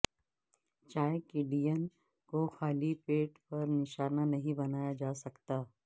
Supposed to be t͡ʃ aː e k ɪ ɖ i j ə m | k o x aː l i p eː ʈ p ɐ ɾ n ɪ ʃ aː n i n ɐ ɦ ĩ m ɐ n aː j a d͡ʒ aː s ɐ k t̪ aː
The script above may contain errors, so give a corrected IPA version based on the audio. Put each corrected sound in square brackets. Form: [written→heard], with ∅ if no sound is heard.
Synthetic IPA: t͡ʃ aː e k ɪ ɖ i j ə [m→n] | k o x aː l i p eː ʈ p ɐ ɾ n ɪ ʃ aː n [i→a] n ɐ ɦ ĩ [m→b] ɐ n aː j a d͡ʒ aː s ɐ k t̪ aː